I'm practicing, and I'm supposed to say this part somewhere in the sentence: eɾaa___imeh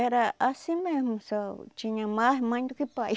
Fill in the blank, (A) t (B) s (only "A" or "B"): B